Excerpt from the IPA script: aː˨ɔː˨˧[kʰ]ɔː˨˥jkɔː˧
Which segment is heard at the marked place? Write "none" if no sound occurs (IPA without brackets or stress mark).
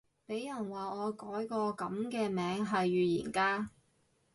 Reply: k